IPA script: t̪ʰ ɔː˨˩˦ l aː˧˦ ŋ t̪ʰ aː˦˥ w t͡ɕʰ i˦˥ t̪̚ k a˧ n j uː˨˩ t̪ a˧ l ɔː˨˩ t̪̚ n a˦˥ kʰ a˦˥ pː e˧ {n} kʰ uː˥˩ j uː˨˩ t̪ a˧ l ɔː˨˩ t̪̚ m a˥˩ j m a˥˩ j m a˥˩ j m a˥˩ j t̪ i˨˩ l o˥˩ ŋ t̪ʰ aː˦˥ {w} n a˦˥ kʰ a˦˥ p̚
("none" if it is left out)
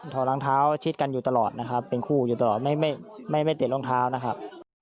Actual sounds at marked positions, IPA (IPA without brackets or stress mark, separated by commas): n, w